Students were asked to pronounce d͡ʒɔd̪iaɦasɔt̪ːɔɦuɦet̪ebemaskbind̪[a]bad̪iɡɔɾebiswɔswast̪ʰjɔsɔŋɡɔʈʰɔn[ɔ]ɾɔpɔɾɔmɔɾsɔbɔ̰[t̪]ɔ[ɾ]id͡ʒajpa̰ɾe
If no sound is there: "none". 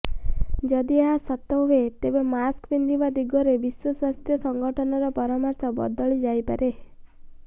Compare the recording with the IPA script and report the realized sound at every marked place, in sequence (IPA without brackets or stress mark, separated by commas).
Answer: i, ɔ, d̪, ɭ